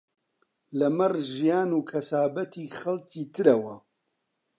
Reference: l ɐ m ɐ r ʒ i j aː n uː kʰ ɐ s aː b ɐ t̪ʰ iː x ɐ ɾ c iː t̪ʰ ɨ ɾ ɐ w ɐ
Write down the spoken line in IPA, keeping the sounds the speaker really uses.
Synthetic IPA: l ɐ m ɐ r ʒ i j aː n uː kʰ ɐ s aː b ɐ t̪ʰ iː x ɐ l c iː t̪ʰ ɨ ɾ ɐ w ɐ